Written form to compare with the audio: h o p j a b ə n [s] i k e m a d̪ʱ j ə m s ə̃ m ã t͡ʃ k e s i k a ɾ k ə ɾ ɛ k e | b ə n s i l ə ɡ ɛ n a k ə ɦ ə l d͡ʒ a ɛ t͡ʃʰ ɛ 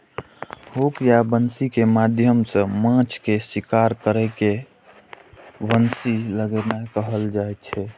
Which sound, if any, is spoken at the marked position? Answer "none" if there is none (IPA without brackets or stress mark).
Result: s